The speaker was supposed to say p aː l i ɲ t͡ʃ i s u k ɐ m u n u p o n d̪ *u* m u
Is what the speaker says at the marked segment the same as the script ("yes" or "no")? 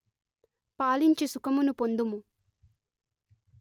yes